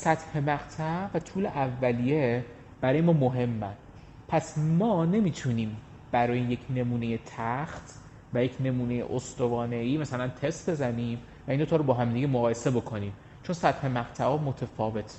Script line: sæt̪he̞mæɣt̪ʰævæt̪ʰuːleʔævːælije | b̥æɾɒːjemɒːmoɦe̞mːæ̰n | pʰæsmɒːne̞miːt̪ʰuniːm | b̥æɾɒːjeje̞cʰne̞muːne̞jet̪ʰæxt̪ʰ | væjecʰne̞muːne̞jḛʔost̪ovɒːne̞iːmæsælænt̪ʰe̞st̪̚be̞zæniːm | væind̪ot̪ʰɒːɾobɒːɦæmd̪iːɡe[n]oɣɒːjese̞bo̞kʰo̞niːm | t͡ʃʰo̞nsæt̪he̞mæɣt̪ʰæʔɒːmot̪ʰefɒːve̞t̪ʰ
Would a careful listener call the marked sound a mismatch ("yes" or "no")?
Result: yes